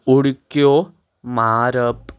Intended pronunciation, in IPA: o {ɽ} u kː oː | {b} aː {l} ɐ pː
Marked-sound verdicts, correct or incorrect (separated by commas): correct, incorrect, incorrect